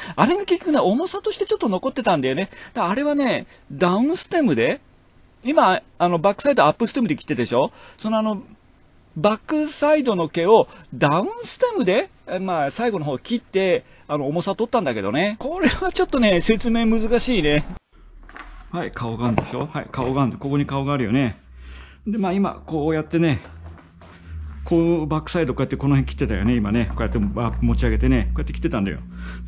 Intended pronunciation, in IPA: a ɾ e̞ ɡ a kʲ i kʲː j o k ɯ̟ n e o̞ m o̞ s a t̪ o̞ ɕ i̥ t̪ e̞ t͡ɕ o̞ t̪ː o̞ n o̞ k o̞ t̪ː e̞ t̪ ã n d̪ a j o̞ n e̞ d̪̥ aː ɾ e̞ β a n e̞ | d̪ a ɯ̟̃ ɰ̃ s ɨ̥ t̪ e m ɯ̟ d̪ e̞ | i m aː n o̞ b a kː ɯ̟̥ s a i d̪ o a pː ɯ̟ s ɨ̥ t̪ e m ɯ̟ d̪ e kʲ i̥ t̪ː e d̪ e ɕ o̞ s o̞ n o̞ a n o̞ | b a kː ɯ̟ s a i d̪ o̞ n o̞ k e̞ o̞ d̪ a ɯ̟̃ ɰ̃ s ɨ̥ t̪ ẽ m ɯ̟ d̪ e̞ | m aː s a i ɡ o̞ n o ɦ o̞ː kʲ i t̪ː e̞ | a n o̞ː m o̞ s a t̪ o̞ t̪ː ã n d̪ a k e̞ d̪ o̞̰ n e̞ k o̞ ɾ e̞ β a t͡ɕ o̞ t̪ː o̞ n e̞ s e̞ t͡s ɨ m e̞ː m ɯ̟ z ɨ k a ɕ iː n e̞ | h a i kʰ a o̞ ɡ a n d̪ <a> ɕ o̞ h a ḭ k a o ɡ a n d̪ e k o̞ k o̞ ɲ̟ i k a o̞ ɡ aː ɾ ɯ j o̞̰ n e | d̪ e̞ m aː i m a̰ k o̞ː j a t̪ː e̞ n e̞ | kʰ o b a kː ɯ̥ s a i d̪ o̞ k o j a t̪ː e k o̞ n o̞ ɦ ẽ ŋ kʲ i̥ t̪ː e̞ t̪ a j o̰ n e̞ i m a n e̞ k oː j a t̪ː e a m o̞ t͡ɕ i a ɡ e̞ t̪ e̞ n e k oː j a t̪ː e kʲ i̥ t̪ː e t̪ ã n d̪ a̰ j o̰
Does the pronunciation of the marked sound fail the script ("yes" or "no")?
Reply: yes